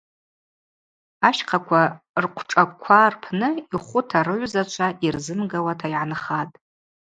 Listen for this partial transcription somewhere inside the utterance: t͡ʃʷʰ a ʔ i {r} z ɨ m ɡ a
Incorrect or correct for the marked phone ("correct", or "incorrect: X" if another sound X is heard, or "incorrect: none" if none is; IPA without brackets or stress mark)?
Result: correct